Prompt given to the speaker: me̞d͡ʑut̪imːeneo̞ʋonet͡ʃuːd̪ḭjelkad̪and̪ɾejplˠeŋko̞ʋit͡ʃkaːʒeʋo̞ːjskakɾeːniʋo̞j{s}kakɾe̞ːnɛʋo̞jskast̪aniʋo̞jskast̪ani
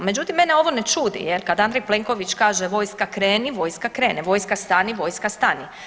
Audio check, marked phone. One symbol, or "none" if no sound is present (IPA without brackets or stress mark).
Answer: s